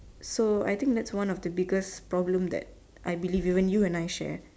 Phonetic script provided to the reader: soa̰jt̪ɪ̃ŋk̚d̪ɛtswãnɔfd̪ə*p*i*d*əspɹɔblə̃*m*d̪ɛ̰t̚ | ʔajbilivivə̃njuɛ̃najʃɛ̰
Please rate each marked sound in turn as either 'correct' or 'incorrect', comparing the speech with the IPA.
incorrect, incorrect, correct

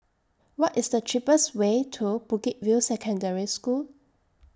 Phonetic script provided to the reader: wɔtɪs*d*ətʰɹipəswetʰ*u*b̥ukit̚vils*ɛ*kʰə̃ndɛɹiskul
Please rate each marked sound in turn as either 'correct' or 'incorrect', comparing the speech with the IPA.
correct, correct, correct

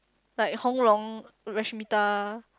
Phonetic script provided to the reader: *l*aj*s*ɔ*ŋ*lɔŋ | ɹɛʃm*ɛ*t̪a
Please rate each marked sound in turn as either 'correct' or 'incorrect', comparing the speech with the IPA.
correct, incorrect, correct, incorrect

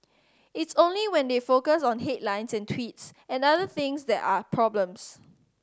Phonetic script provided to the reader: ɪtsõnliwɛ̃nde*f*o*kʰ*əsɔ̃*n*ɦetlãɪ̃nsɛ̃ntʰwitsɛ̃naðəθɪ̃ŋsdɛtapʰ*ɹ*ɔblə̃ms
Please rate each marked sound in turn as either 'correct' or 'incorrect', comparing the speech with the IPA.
correct, incorrect, correct, correct

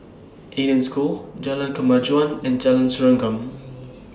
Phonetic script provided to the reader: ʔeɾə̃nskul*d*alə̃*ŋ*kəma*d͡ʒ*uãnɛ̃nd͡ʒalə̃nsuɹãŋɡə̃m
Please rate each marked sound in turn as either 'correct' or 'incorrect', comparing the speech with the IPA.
incorrect, incorrect, correct

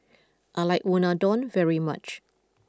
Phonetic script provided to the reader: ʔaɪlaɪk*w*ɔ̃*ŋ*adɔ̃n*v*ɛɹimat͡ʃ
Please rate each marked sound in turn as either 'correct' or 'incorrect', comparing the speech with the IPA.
correct, incorrect, correct

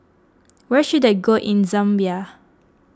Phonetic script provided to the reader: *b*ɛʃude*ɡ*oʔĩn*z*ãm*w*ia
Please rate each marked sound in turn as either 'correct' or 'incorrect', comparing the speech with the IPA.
incorrect, correct, correct, incorrect

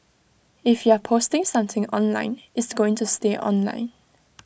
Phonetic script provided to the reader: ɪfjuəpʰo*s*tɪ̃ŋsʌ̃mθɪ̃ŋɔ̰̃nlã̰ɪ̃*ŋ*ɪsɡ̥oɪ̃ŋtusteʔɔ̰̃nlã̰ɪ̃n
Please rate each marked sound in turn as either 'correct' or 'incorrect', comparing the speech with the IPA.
correct, incorrect

